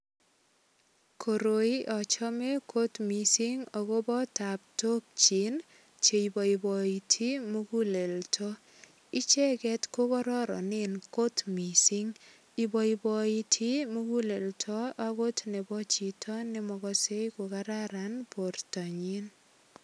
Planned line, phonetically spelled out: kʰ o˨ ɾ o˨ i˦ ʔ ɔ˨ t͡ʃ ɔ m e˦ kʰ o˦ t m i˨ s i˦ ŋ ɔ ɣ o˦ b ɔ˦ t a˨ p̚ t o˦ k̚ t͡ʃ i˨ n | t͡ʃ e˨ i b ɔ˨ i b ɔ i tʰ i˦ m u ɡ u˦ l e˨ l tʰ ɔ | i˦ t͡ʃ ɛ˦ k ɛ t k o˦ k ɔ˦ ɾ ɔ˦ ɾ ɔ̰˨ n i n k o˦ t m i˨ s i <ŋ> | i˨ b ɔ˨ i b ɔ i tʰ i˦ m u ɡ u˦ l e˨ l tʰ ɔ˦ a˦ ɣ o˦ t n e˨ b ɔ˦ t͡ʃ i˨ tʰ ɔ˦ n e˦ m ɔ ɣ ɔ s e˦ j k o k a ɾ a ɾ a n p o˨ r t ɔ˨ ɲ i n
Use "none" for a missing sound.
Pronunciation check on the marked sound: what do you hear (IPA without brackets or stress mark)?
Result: ŋ